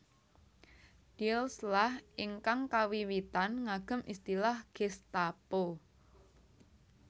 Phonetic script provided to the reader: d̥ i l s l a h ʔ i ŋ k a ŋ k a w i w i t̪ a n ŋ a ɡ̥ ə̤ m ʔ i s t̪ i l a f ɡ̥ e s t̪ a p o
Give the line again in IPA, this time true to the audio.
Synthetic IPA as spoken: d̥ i l s l a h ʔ i ŋ k a ŋ k a w i w i t̪ a n ŋ a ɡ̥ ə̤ m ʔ i s t̪ i l a h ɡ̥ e s t̪ a p o